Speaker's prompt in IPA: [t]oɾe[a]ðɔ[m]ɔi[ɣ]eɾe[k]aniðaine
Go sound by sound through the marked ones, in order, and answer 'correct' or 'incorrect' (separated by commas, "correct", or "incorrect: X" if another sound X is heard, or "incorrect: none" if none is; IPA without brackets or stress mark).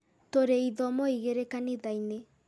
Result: correct, incorrect: i, correct, correct, correct